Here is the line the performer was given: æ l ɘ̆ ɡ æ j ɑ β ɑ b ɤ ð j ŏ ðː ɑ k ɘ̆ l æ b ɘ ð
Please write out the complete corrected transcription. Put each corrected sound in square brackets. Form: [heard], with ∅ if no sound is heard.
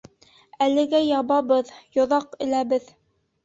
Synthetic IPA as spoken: æ l ɘ̆ ɡ æ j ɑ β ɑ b ɤ ð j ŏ [ð] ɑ [q] ɘ̆ l æ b ɘ ð